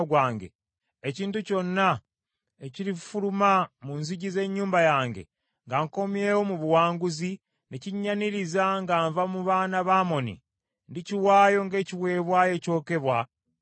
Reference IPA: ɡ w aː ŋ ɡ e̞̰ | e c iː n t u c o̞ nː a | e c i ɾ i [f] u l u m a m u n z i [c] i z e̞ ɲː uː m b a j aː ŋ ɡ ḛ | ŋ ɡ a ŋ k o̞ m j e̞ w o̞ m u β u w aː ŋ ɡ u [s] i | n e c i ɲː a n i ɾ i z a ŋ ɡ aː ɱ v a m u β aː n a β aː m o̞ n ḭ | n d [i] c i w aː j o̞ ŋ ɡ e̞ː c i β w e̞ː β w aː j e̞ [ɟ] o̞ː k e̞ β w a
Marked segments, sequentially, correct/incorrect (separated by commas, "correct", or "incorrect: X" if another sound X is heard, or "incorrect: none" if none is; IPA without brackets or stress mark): correct, incorrect: ɟ, incorrect: z, correct, incorrect: c